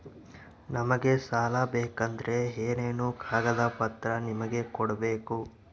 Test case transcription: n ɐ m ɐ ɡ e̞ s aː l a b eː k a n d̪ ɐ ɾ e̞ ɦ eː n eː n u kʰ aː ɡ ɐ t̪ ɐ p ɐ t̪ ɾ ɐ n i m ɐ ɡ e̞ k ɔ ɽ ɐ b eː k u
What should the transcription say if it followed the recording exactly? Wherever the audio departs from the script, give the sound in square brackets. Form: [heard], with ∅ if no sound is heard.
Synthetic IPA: n ɐ m ɐ ɡ e̞ s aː l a b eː k [ɐ] n d̪ ɐ ɾ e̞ ɦ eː n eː n u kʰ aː ɡ ɐ [d̪] ɐ p ɐ t̪ ɾ ɐ n i m ɐ ɡ e̞ k ɔ ɽ ɐ b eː k u